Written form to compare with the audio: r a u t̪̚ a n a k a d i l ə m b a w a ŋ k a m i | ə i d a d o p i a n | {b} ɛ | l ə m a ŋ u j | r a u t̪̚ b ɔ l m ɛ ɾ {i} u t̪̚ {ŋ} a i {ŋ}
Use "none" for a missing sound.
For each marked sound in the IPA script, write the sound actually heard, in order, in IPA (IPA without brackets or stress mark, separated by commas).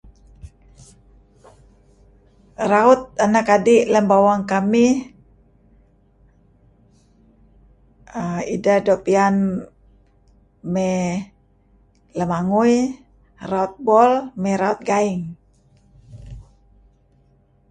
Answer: m, a, ɡ, ŋ